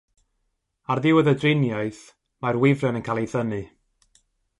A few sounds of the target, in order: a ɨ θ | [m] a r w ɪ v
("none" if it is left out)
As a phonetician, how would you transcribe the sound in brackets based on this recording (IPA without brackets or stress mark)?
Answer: m